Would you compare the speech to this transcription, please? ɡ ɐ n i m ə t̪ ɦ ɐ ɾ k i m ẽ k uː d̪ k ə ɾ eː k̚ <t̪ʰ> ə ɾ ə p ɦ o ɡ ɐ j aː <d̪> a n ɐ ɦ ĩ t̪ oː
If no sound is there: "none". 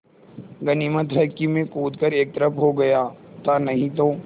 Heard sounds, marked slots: t̪, t̪

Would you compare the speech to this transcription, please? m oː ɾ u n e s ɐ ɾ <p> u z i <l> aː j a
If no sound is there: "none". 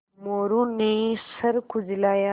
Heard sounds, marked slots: k, l

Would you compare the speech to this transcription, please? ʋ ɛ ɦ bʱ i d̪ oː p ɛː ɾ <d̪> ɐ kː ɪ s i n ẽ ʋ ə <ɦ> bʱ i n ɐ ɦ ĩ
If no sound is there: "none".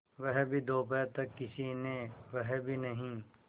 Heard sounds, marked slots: t̪, ɦ

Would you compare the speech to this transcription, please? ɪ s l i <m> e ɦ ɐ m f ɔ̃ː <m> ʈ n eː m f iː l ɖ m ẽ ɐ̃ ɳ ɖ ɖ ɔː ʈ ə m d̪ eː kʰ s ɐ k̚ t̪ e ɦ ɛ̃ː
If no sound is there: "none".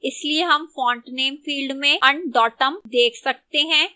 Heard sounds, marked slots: none, ɳ

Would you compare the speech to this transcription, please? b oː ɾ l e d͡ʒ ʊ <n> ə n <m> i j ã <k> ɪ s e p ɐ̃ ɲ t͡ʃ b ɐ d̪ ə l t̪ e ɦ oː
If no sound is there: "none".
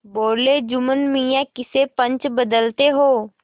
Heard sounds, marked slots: m, m, k

